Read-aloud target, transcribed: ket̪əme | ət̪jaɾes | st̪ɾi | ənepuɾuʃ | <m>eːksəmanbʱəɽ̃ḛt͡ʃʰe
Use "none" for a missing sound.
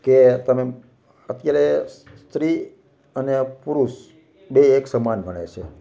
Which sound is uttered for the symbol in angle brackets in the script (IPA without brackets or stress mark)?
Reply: b